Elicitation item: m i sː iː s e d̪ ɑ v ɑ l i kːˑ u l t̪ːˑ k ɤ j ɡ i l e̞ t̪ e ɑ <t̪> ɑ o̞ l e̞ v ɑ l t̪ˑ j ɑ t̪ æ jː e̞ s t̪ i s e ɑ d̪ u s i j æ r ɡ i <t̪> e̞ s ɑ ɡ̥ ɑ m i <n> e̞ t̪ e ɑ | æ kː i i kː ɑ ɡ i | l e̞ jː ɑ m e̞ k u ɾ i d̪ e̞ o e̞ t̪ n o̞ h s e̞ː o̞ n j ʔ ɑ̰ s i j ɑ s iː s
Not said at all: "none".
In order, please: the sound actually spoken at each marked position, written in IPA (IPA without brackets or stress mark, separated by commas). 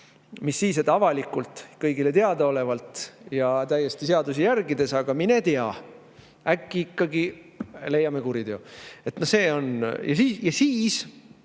d̪, d̪, n